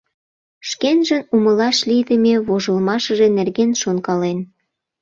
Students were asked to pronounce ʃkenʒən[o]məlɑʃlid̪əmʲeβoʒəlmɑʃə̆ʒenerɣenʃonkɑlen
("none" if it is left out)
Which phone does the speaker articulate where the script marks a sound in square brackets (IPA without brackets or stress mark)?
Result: u